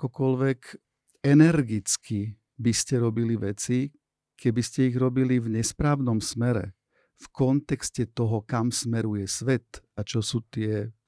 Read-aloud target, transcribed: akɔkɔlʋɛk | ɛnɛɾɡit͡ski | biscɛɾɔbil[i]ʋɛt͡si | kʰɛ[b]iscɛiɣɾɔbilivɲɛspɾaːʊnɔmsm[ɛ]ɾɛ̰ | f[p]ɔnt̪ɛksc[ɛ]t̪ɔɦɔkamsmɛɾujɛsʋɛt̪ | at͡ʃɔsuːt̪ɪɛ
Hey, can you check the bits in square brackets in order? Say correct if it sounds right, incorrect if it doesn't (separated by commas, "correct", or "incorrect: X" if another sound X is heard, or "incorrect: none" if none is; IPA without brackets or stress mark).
correct, correct, correct, incorrect: k, correct